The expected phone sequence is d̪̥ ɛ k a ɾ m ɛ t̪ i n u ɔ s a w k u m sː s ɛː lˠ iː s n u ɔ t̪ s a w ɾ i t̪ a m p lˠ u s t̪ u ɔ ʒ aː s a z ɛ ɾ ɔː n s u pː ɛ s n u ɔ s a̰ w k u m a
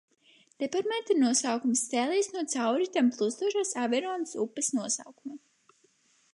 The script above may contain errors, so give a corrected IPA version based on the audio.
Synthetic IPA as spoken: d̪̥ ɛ p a ɾ m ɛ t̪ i n u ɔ s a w k u m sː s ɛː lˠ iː s n u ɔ t̪ s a w ɾ i t̪ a m p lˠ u s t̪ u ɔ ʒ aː s a v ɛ ɾ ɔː n s u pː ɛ s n u ɔ s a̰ w k u m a